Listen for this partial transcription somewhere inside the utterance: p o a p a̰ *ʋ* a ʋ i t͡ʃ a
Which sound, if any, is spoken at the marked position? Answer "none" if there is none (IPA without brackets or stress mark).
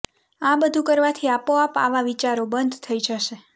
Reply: ʋ